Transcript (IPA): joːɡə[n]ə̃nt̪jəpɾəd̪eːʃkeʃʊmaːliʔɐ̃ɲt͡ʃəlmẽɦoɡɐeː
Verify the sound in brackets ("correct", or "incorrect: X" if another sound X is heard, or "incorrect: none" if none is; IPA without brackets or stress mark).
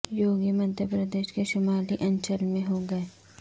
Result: incorrect: m